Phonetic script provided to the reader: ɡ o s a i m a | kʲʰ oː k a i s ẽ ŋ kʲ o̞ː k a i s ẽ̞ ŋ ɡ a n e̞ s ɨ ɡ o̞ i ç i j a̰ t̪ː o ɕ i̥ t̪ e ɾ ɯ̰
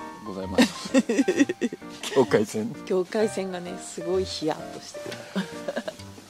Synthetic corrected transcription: ɡ o z a i m a | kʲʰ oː k a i s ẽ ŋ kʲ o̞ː k a i s ẽ̞ ŋ ɡ a n e̞ s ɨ ɡ o̞ i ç i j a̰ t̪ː o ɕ i̥ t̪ e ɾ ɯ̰